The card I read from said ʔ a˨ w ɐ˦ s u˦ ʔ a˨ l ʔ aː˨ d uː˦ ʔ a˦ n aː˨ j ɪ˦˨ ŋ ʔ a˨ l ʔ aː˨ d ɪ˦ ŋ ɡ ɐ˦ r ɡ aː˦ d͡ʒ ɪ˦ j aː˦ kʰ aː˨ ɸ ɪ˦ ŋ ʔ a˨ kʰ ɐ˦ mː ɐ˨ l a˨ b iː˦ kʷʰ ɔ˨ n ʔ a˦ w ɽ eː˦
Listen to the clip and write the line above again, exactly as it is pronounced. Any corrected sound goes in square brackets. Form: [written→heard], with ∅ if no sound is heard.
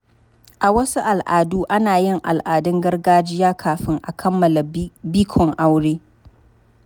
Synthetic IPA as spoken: ʔ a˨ w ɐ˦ s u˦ ʔ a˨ l ʔ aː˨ d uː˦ ʔ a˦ n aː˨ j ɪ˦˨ ŋ ʔ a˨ l ʔ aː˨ d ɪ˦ ŋ ɡ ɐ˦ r ɡ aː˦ d͡ʒ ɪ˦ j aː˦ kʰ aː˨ ɸ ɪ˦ ŋ ʔ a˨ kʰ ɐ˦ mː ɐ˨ l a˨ b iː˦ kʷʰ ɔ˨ [n→ŋ] ʔ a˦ w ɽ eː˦